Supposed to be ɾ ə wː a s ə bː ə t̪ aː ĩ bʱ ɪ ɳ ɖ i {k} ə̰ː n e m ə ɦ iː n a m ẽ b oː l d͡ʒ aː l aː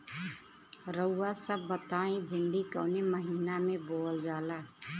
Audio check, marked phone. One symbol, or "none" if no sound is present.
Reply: k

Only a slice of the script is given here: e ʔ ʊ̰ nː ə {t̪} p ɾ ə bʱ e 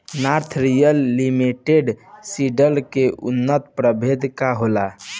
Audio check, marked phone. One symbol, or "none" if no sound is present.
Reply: t̪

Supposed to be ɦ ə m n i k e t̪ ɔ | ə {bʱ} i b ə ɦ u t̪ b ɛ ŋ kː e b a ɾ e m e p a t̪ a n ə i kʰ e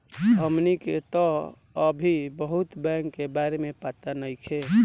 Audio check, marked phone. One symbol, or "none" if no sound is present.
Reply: bʱ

